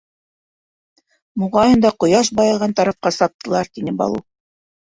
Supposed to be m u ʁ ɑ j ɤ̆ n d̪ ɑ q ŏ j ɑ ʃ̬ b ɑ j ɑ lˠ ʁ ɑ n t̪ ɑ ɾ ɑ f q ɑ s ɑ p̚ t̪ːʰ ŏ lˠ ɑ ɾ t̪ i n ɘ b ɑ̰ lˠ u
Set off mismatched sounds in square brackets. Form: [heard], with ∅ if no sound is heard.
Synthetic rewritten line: m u ʁ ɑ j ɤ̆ n d̪ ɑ q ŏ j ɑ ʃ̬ b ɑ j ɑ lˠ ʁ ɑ n t̪ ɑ ɾ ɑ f q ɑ s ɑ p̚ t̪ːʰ [ɤ̆] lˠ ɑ ɾ t̪ i n ɘ b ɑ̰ lˠ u